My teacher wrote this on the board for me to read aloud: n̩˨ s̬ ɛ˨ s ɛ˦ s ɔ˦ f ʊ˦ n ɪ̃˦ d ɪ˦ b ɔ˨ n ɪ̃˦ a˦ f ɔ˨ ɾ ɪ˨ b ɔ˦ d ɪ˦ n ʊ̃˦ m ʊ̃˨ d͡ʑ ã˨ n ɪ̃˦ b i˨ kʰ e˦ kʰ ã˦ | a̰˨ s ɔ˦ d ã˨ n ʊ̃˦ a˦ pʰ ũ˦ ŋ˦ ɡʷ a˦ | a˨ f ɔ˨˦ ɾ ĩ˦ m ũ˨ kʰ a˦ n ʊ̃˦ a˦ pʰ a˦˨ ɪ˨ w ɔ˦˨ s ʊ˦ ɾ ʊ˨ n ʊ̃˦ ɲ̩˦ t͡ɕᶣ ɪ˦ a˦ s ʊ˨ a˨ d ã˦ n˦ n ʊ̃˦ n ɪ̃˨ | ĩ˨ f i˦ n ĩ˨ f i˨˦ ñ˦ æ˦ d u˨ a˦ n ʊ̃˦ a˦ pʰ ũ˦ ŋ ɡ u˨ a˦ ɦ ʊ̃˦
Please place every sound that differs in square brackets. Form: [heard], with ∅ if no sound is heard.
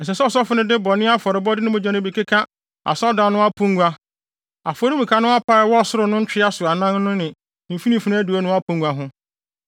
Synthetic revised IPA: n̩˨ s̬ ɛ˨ s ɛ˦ s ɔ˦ f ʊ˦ n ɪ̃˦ d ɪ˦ b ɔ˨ n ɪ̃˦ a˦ f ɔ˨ ɾ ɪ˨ b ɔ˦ d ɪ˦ n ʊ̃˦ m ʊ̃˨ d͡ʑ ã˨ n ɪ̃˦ b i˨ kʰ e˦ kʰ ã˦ | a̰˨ s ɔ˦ d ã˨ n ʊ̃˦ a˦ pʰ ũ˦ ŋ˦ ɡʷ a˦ | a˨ f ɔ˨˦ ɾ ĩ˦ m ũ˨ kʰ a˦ n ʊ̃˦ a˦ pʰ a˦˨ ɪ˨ w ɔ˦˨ s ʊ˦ ɾ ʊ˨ n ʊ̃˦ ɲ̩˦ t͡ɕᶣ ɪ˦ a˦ s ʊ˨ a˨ [n] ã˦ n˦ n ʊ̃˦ n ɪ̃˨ | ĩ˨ f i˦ n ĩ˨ f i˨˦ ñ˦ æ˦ d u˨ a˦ n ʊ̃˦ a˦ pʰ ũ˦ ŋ ɡ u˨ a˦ ɦ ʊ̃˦